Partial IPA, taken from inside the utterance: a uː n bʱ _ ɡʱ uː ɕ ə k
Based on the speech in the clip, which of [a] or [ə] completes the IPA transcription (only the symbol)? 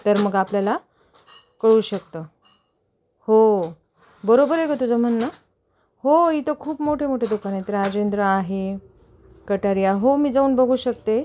ə